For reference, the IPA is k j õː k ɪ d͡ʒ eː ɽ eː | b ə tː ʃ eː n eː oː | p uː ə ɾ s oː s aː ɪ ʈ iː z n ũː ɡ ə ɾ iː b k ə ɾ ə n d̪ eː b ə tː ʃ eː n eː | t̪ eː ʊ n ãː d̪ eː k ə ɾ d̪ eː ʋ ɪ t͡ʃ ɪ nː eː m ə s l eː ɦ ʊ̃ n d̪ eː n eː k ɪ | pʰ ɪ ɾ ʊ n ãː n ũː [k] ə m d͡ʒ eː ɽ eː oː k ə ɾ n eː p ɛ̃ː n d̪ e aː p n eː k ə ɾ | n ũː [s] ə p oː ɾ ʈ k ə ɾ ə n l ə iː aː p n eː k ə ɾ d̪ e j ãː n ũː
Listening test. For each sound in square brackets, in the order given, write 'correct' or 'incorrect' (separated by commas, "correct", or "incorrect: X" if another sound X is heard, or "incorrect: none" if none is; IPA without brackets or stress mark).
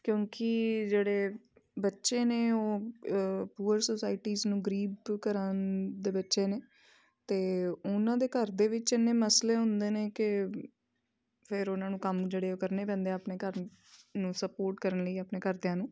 correct, correct